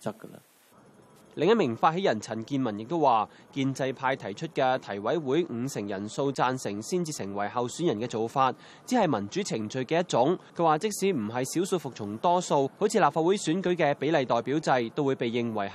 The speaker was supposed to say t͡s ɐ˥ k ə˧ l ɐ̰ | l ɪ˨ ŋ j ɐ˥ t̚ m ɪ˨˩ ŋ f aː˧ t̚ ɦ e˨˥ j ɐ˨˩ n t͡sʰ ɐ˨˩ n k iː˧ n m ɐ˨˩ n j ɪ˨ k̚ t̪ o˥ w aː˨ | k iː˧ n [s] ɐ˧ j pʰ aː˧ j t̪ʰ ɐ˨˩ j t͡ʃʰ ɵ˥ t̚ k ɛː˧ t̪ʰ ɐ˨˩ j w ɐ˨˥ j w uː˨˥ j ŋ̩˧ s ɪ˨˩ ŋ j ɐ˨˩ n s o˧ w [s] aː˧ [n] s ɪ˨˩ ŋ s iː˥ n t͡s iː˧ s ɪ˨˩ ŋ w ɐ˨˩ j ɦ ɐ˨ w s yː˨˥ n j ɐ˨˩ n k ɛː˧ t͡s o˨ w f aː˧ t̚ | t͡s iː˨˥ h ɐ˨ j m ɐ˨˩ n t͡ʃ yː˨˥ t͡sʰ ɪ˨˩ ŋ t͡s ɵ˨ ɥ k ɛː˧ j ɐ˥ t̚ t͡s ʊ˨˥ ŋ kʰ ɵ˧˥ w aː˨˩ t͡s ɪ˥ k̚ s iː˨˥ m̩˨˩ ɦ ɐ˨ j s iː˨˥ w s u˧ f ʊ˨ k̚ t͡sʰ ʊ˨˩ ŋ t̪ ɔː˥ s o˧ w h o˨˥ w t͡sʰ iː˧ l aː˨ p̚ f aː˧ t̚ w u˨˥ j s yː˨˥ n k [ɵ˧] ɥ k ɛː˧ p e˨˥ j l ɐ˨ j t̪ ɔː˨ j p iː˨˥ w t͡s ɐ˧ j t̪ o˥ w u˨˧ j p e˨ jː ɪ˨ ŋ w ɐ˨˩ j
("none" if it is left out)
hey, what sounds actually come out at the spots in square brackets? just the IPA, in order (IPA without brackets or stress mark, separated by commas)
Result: t͡s, t͡s, n, ɵ˨˥